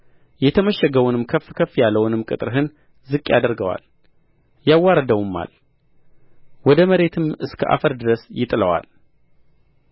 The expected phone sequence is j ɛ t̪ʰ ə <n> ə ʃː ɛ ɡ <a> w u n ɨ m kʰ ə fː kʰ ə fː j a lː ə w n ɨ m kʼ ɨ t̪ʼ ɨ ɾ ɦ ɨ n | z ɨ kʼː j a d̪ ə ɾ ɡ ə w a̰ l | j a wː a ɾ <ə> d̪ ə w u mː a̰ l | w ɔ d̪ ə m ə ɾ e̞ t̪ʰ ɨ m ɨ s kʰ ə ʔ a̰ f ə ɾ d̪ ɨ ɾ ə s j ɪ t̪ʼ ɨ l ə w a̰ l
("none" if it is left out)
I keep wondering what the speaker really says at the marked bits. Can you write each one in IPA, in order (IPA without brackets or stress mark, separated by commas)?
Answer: m, ə, ə